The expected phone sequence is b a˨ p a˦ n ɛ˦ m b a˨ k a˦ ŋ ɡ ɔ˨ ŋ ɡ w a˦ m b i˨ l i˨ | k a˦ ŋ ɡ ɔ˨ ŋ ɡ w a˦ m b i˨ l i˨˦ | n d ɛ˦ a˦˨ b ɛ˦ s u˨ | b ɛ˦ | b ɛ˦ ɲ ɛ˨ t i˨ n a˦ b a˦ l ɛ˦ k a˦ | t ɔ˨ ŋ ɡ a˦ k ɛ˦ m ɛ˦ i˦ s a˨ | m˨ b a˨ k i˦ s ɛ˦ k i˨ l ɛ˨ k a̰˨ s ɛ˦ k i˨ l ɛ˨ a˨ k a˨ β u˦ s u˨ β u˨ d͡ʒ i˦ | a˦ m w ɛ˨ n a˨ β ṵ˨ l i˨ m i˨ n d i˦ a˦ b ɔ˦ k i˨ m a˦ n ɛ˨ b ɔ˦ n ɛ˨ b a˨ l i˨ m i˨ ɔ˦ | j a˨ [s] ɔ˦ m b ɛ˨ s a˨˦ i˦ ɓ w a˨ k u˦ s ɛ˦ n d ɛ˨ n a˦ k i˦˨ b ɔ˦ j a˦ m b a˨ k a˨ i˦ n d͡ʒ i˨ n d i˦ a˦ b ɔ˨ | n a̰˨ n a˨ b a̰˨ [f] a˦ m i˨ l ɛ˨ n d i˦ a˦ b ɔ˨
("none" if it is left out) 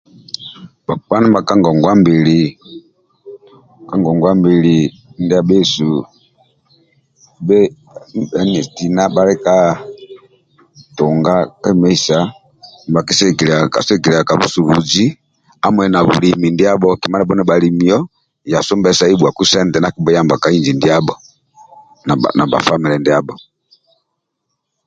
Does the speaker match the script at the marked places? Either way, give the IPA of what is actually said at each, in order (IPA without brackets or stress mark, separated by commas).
s, f